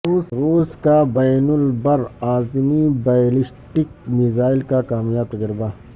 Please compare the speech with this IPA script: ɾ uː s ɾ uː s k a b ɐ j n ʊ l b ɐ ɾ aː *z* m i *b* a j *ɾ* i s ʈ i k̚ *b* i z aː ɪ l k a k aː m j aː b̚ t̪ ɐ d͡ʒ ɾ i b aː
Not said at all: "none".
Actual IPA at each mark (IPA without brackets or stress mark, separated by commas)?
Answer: z, b, l, m